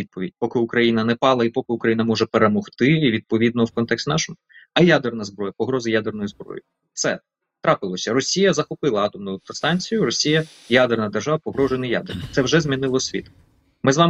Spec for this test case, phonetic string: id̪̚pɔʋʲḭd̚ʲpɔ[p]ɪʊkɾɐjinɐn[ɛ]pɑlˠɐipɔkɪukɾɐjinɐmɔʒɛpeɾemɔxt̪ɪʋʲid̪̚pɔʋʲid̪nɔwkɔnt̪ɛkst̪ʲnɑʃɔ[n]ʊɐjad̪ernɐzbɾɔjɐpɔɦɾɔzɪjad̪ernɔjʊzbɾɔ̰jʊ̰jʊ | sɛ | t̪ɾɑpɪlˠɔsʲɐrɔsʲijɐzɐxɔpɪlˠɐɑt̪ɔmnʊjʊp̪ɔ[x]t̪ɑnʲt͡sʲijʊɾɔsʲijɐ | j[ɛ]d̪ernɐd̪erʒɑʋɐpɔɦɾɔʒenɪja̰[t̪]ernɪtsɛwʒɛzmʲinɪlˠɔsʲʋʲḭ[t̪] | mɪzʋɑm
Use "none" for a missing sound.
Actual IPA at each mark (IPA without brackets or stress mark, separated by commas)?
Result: k, ɛ, m, s, a, d̪, t̪